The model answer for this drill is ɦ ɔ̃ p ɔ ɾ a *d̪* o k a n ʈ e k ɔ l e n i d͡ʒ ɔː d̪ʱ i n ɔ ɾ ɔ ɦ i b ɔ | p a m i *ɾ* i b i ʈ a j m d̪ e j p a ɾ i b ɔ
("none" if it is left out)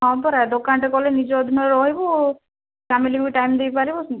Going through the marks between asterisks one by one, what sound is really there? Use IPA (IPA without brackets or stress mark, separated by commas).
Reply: d̪, l